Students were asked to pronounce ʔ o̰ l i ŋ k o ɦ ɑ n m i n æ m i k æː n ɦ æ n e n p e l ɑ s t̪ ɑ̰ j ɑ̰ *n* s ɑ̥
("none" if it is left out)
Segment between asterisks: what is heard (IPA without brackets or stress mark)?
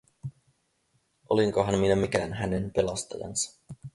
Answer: n